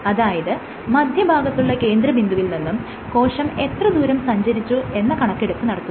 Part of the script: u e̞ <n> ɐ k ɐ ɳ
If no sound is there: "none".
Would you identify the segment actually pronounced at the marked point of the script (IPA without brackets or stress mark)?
nː